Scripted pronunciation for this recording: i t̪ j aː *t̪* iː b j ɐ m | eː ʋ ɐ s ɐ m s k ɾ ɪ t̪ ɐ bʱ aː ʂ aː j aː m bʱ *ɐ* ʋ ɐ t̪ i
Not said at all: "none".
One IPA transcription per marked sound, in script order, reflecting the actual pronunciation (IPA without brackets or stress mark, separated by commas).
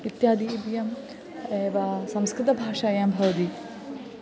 d̪, ɐ